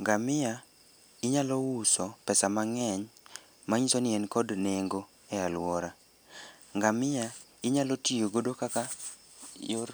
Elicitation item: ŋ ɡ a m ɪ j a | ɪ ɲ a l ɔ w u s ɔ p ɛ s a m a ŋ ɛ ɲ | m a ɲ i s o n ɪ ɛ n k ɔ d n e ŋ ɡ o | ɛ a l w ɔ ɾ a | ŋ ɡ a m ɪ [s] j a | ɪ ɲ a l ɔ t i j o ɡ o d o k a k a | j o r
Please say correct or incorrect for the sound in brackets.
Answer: incorrect: none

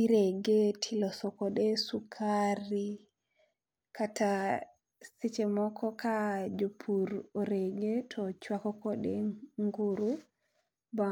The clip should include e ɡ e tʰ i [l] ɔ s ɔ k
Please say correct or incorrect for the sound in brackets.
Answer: correct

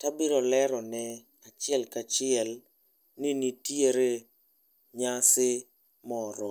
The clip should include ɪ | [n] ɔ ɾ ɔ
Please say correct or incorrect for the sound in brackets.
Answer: incorrect: m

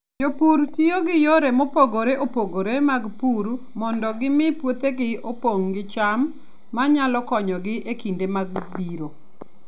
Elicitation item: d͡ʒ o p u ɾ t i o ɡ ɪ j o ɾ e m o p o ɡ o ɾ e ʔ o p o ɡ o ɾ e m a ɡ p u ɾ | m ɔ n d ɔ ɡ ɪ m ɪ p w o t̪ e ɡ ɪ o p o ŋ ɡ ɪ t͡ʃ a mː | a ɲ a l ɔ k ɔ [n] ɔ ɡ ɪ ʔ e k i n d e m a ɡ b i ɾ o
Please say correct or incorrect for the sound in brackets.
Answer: incorrect: ɲ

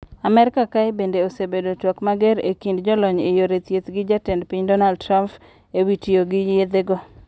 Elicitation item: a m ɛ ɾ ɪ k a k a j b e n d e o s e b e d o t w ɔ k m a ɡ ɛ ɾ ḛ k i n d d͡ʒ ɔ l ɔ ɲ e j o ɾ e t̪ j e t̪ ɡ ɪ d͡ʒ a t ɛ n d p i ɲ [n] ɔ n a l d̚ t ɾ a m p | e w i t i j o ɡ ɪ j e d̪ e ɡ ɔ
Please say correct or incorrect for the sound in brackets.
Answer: incorrect: d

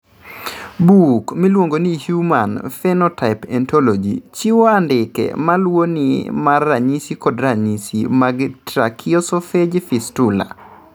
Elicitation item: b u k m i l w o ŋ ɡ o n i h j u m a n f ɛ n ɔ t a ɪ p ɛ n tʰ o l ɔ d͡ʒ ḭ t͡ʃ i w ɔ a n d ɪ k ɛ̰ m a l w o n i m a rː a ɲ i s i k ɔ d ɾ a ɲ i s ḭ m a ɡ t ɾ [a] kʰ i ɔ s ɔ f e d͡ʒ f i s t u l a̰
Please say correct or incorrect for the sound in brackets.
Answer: correct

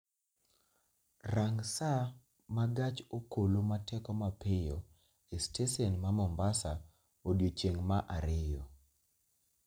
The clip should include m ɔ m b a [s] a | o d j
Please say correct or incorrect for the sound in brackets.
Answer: correct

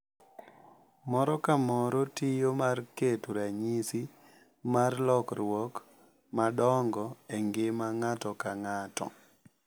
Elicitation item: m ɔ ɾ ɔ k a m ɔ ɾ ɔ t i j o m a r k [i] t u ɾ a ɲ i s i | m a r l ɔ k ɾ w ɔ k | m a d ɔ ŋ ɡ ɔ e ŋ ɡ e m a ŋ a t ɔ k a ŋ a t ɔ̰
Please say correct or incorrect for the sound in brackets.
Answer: incorrect: e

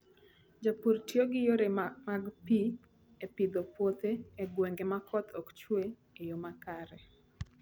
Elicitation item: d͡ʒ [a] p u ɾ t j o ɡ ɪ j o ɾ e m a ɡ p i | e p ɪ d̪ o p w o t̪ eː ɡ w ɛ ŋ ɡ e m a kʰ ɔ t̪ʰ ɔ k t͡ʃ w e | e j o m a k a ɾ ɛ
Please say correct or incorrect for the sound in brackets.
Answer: correct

